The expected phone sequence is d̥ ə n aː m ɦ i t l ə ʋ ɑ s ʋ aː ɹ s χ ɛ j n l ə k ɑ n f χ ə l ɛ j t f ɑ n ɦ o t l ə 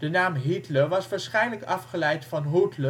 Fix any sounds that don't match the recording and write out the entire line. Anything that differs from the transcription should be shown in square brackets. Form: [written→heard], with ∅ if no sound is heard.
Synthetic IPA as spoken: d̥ ə n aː m ɦ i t l ə ʋ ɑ s ʋ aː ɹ s χ ɛ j n l ə k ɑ [n→∅] f χ ə l ɛ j t f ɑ n ɦ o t l ə